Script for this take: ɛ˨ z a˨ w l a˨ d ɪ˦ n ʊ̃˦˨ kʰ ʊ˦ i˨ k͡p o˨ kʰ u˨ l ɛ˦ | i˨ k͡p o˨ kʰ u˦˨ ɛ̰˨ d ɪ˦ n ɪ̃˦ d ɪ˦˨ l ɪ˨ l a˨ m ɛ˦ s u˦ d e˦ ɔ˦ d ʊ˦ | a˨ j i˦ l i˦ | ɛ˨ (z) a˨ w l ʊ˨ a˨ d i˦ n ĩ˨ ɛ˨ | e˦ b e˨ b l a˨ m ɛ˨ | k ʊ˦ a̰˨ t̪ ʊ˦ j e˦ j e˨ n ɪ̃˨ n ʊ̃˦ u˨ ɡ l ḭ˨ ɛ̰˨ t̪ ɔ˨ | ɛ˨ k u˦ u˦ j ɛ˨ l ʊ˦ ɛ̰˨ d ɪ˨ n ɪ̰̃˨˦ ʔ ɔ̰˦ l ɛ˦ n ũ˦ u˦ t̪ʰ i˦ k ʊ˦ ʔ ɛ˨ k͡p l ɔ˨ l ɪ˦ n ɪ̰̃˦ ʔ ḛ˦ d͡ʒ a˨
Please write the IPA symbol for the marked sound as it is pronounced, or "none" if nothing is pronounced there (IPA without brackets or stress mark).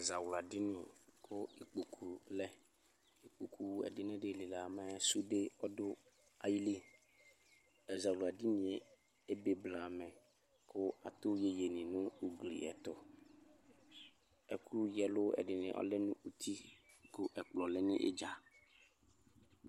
z